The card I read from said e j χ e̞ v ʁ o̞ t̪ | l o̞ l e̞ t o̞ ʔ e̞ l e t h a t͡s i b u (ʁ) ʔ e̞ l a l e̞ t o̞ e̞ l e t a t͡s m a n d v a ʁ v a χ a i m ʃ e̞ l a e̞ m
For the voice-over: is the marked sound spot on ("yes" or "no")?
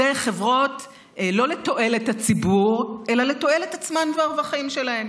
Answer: yes